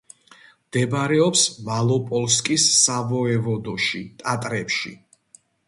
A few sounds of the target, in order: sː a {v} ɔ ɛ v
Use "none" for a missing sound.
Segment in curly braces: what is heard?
v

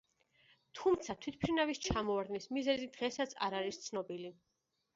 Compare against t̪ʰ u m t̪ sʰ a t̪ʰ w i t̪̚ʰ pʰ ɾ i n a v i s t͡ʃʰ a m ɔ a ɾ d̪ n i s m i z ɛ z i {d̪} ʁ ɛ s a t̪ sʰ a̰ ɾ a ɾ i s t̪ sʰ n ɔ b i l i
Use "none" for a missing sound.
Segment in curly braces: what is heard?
d̪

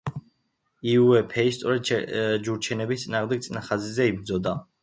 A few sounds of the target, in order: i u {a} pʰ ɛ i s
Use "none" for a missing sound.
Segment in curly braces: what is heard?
ɛ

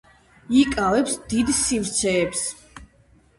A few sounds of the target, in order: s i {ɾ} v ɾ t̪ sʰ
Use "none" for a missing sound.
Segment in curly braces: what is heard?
none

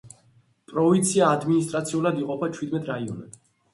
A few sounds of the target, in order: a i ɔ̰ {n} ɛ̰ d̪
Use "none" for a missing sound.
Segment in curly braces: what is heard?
n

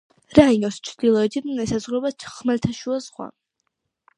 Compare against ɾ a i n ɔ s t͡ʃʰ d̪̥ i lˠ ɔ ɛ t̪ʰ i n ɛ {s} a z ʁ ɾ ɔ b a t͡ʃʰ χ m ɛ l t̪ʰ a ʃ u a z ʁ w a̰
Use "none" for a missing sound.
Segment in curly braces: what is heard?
s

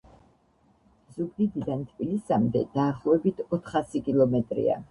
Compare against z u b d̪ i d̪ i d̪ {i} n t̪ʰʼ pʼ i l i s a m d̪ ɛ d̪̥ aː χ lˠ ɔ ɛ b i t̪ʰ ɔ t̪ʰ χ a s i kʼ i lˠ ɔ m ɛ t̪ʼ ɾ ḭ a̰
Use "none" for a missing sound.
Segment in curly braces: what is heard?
a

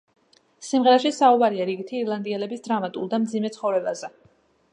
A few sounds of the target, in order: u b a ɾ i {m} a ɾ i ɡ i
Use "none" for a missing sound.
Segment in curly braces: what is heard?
none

